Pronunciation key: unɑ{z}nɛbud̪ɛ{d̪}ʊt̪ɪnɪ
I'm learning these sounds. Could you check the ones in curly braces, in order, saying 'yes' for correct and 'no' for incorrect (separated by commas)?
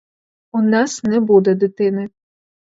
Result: no, yes